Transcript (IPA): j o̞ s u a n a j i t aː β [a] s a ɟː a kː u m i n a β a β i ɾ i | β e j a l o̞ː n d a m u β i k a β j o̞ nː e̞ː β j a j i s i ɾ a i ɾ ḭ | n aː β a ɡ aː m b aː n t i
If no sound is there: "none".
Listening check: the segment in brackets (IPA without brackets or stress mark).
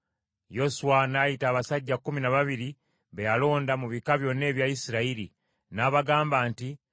a